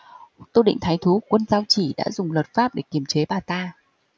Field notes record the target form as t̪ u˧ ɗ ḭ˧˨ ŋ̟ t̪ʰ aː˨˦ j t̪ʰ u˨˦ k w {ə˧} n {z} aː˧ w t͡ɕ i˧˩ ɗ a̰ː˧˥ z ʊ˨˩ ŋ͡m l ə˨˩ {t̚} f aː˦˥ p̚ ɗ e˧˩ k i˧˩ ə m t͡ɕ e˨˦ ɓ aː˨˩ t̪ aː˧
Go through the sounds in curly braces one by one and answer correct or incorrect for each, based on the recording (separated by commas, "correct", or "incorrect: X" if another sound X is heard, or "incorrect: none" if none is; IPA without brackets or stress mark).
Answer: correct, correct, correct